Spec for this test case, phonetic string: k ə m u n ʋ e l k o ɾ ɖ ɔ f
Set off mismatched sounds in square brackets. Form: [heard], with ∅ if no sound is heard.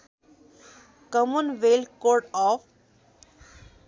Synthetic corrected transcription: k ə m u n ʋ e l k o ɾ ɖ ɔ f